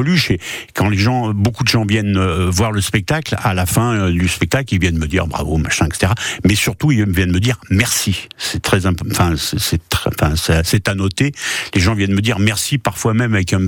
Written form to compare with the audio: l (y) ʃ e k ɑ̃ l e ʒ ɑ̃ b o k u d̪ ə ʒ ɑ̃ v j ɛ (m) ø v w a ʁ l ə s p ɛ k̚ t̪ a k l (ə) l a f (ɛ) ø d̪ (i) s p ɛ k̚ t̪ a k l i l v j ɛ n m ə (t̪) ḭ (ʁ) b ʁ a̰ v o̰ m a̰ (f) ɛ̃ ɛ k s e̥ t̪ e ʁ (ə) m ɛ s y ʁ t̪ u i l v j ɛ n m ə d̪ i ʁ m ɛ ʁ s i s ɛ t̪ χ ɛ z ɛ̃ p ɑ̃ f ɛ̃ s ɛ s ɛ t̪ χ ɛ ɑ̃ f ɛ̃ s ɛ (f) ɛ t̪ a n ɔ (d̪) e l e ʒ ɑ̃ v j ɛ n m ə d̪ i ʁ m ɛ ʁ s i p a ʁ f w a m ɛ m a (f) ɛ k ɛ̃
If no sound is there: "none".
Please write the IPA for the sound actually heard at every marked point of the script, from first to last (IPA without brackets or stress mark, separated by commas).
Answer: y, n, a, ɛ̃, y, d̪, ʁ, ʃ, a, s, t̪, v